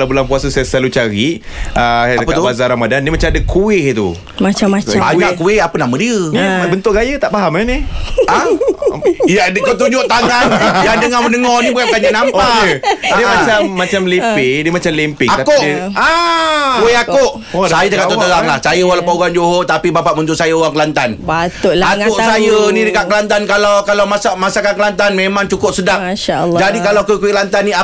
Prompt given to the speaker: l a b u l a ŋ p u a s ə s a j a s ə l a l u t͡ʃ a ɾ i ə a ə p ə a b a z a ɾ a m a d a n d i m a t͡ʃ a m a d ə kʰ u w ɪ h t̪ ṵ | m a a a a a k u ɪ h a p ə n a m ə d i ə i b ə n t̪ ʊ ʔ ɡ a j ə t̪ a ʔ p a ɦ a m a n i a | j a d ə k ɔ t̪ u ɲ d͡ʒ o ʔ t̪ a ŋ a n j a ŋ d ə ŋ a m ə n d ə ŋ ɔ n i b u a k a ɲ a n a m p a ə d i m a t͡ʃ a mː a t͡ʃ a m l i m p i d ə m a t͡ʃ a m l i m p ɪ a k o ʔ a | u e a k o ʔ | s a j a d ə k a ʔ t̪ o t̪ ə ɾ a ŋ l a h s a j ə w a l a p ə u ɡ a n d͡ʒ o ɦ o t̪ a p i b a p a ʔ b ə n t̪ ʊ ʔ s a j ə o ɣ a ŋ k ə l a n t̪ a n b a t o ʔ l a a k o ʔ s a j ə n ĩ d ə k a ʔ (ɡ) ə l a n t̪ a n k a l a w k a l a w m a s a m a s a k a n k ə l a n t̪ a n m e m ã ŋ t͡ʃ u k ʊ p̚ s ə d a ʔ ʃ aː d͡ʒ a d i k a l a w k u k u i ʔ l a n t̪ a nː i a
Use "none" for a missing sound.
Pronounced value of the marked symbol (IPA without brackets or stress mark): k